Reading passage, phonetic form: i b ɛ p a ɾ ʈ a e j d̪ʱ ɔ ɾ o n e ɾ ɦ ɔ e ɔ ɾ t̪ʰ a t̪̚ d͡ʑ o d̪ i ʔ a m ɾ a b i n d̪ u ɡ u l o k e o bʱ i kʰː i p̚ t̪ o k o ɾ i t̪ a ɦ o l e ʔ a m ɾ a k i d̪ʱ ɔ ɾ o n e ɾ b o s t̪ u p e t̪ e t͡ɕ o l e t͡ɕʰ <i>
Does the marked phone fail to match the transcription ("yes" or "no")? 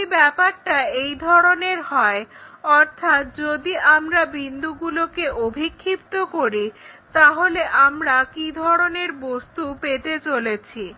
no